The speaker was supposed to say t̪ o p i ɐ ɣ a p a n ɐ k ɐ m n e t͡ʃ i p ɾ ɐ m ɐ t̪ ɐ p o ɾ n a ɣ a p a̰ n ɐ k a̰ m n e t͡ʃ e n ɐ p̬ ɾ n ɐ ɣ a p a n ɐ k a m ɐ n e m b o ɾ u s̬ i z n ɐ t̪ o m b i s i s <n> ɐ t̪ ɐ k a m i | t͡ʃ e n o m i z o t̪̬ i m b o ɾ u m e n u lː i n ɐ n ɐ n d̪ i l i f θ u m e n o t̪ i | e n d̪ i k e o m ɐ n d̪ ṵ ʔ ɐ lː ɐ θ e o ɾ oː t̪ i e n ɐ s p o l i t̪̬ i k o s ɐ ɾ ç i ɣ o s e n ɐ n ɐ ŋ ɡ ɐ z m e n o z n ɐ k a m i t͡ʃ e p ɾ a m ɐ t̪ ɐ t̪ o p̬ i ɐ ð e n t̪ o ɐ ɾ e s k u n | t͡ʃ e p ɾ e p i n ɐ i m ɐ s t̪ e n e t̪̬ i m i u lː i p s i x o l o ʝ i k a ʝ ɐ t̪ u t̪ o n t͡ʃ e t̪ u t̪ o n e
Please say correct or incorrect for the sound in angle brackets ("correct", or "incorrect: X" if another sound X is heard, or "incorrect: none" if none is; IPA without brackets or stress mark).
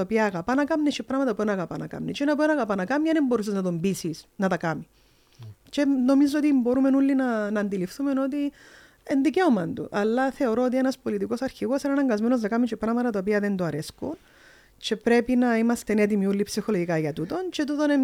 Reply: correct